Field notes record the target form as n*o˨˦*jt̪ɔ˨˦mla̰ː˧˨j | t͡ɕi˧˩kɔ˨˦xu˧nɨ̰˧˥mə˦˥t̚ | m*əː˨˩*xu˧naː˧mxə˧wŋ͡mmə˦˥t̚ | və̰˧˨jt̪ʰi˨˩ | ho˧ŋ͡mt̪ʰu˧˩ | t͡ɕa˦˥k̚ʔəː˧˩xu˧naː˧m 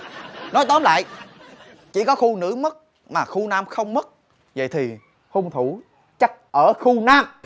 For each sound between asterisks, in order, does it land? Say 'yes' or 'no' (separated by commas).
no, no